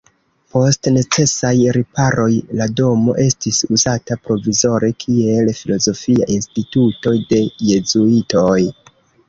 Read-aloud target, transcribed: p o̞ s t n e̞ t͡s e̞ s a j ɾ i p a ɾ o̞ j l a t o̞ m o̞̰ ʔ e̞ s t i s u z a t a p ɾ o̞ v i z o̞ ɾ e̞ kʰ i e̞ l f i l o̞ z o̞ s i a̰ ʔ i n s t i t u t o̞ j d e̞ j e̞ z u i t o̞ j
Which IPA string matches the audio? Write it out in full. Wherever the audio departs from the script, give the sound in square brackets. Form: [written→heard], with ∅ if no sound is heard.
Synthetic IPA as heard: p o̞ s t n e̞ t͡s e̞ s a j ɾ i p a ɾ o̞ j l a [t→d] o̞ m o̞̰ ʔ e̞ s t i s u z a t a p ɾ o̞ v i z o̞ ɾ e̞ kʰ i e̞ l f i l o̞ z o̞ [s→f] i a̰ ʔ i n s t i t u t o̞ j d e̞ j e̞ z u i t o̞ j